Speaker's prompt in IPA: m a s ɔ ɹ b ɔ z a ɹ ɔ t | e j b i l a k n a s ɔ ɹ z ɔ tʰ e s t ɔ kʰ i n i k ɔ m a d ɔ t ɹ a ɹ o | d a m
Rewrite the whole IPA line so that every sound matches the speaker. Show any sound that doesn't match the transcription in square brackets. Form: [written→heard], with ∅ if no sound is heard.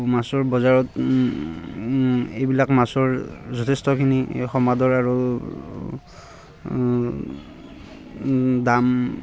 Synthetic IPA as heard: m a s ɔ ɹ b ɔ z a ɹ ɔ t | e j b i l a k [n→m] a s ɔ ɹ z ɔ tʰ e s t ɔ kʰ i n i [k→x] ɔ m a d ɔ [t→∅] ɹ a ɹ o | d a m